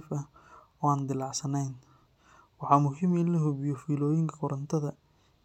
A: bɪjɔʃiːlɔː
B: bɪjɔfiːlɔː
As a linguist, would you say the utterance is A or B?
B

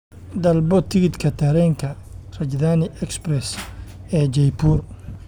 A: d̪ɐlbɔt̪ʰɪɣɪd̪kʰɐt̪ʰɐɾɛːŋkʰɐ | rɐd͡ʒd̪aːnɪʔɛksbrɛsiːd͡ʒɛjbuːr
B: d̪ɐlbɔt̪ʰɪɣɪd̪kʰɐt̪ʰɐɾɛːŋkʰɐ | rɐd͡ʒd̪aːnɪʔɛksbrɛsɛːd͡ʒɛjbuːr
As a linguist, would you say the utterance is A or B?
B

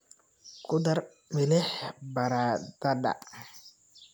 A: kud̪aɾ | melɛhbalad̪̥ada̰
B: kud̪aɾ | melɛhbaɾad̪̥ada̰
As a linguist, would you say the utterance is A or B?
B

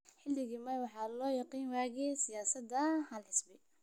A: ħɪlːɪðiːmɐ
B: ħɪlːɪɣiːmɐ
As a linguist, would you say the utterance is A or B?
B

